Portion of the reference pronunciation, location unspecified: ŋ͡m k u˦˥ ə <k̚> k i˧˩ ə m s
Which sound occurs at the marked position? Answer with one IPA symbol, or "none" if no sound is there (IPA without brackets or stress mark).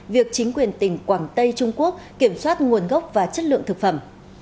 k̚